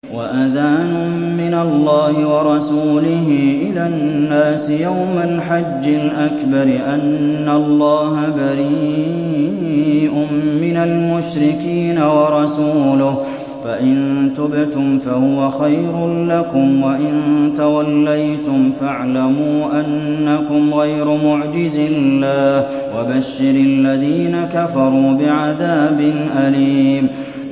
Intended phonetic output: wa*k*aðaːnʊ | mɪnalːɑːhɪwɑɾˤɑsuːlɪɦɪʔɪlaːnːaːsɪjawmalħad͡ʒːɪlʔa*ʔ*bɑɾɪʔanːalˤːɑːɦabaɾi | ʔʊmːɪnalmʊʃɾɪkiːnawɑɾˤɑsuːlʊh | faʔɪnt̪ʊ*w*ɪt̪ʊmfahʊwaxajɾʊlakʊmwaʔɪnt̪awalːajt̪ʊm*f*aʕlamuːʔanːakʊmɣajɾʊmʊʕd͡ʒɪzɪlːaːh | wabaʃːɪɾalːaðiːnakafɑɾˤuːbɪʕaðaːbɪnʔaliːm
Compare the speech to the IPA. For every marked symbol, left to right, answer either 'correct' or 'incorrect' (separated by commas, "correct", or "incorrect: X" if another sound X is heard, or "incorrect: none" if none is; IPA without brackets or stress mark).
incorrect: ʔ, incorrect: k, incorrect: b, correct